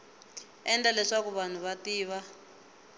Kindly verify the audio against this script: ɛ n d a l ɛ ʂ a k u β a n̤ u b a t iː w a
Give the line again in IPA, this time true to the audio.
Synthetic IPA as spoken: ɛ n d a l ɛ ʂ a k u β a n̤ u β a t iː β a